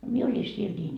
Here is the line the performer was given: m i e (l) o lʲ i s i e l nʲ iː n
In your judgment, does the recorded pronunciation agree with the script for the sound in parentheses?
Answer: no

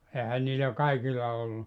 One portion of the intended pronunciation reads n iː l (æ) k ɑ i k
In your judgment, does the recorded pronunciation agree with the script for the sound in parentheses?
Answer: yes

